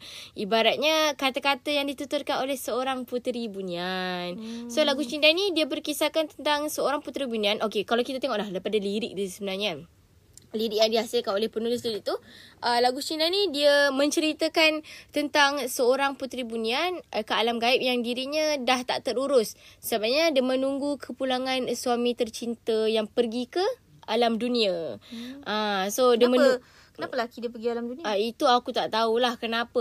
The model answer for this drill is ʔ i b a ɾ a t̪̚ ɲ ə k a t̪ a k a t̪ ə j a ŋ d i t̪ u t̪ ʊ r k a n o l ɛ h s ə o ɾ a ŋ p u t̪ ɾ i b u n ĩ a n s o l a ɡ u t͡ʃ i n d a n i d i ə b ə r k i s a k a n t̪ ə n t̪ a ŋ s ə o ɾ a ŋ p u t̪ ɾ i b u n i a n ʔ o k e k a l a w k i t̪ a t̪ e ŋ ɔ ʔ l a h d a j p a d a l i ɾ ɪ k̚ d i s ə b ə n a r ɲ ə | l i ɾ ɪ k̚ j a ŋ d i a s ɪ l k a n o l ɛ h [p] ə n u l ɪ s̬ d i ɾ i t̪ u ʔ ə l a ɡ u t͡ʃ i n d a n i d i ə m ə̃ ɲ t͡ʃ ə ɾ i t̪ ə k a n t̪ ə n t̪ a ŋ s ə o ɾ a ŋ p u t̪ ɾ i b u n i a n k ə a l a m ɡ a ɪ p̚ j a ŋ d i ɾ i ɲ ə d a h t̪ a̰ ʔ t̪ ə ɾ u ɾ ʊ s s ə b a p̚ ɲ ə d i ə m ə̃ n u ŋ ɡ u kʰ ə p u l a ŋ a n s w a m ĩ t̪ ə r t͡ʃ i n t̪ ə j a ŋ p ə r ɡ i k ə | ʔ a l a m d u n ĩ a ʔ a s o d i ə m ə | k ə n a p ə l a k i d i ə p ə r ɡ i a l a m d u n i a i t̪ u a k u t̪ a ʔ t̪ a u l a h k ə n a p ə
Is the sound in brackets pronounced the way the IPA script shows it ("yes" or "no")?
yes